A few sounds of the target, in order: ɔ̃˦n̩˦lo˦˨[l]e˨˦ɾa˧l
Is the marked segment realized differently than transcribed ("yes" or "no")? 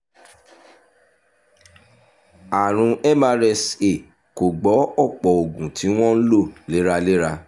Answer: no